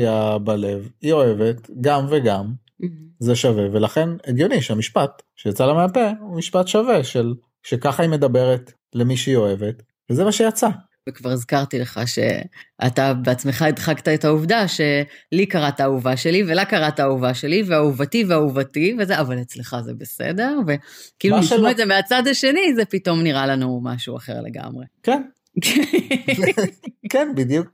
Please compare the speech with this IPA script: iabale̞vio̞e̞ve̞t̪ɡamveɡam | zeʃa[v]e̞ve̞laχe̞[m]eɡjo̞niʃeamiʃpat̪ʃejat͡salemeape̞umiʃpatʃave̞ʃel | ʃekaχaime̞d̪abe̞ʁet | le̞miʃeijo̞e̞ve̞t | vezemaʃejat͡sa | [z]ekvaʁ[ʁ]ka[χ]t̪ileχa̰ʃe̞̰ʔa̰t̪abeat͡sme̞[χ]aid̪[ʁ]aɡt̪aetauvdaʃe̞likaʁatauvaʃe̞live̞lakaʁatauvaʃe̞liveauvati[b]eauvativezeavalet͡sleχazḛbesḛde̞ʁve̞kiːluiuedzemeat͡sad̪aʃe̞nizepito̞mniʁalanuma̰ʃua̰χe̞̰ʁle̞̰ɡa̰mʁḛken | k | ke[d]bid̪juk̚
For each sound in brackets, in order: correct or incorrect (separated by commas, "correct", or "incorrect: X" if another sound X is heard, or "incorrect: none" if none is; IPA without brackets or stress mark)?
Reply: correct, incorrect: n, incorrect: v, incorrect: z, incorrect: ʁ, correct, incorrect: χ, incorrect: v, incorrect: n